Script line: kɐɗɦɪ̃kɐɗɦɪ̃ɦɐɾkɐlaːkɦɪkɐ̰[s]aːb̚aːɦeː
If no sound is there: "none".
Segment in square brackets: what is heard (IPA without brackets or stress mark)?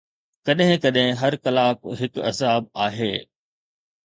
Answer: z